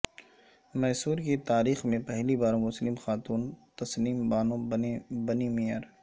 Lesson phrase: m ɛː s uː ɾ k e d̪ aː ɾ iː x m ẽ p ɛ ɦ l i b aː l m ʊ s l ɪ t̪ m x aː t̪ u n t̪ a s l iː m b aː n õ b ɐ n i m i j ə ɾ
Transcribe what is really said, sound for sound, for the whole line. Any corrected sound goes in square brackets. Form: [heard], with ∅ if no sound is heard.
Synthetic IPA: m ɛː s uː ɾ k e [t̪] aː ɾ iː x m ẽ p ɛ ɦ l i b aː [ɾ] m ʊ s l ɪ [∅] m x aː t̪ [uː] n t̪ [ɐ] s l iː m b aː n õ b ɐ n i m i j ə ɾ